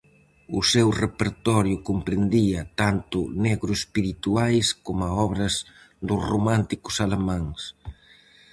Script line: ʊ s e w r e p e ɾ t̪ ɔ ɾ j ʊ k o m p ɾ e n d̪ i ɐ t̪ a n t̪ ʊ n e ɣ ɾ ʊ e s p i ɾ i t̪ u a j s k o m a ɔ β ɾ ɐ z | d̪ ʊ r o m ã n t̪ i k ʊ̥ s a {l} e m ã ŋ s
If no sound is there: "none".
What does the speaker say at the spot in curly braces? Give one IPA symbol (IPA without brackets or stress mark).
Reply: l